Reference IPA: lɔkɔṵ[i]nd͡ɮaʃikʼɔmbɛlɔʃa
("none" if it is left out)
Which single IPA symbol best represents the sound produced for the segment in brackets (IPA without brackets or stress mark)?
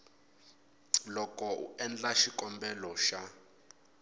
ɛ